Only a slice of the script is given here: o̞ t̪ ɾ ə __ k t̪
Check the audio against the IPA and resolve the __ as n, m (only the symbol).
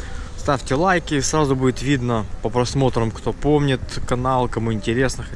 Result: m